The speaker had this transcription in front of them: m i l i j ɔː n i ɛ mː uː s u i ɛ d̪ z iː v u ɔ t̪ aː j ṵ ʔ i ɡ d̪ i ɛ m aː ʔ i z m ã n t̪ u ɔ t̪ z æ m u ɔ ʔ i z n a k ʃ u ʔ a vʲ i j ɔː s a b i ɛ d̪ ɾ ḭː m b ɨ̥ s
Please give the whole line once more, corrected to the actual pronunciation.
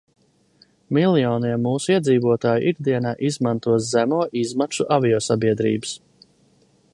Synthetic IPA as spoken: m i l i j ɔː n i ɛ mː uː s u i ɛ d̪ z iː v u ɔ t̪ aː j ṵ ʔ i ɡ d̪ i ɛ n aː ʔ i z m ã n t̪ u ɔ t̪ z æ m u ɔ ʔ i z m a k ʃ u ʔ a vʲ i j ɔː s a b i ɛ d̪ ɾ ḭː b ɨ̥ s